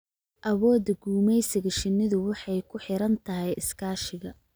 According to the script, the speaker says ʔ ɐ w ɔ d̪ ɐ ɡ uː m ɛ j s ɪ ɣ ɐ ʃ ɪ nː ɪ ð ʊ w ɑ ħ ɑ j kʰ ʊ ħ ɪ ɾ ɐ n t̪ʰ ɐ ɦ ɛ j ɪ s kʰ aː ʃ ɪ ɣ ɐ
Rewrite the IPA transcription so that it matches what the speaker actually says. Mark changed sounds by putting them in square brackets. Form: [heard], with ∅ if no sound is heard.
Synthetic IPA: ʔ ɐ w [ɔː] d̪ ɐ ɡ uː m ɛ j s ɪ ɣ ɐ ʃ ɪ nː ɪ ð ʊ w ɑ ħ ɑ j kʰ ʊ ħ ɪ ɾ ɐ n t̪ʰ ɐ ɦ ɛ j ɪ s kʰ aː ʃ ɪ ɣ ɐ